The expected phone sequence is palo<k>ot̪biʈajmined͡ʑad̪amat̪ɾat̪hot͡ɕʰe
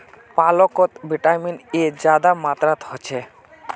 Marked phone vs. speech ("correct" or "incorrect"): correct